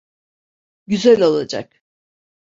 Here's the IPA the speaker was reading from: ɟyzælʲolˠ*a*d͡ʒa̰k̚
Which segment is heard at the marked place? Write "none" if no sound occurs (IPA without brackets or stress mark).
a